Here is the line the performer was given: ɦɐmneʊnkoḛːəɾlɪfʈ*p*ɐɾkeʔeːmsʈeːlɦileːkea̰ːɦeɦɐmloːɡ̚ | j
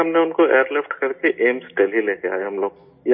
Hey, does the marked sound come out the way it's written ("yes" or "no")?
no